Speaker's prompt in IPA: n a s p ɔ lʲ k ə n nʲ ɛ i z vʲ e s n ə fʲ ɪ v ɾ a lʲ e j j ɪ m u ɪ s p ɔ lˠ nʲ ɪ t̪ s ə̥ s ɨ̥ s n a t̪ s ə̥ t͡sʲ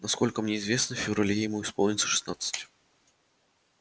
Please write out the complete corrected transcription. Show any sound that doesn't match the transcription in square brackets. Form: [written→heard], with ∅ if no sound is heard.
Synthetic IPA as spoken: n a s [p→k] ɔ lʲ k ə [n→m] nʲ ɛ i z vʲ e s n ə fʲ ɪ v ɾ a lʲ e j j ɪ m u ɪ s p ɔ lˠ nʲ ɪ t̪ s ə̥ [s→ʂ] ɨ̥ s n a t̪ s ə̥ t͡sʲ